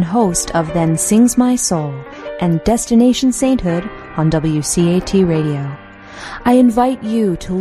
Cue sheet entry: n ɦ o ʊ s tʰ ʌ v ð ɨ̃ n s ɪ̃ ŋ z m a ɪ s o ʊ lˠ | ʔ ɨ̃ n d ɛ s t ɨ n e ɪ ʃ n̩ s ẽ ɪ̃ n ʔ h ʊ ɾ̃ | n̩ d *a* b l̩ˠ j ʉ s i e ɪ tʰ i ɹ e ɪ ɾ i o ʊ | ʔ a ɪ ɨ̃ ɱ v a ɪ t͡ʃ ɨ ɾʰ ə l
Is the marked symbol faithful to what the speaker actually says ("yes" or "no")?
no